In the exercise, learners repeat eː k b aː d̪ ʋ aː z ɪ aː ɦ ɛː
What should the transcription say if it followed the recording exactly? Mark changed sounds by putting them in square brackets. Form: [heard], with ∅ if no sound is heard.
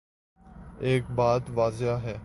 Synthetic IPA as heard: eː k b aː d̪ ʋ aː z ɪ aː ɦ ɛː